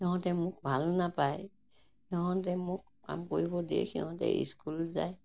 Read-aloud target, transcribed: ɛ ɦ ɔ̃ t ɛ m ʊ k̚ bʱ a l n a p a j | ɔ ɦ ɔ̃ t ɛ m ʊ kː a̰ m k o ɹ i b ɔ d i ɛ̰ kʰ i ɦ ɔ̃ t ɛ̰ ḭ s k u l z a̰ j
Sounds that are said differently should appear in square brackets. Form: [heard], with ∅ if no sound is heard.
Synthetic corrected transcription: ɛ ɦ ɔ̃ t ɛ m ʊ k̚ bʱ a l n a p a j | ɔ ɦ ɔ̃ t ɛ m ʊ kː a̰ m k o ɹ i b ɔ d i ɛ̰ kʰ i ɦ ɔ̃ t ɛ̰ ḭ s k u l z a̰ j